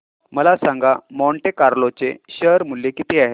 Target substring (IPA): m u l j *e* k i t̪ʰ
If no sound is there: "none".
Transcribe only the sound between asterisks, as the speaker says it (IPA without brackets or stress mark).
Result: e